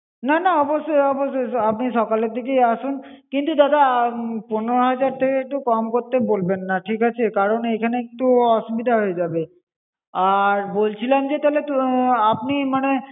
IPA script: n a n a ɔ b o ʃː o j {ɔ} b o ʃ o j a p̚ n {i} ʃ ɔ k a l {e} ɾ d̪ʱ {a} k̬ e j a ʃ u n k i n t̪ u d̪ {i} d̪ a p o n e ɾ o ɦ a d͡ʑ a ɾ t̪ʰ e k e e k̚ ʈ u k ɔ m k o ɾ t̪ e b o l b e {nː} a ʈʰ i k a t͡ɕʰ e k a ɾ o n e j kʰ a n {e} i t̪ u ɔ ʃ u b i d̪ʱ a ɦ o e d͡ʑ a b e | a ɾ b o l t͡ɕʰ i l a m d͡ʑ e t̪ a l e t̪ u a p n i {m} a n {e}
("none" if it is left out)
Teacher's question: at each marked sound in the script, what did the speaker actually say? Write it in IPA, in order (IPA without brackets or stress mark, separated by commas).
ɔ, i, e, i, a, nː, e, m, e